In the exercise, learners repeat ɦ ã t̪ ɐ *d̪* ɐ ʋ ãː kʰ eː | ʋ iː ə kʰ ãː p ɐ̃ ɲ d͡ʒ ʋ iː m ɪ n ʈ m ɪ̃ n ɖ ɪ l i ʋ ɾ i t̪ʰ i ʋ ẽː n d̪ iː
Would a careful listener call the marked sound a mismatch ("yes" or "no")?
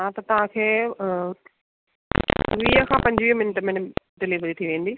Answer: yes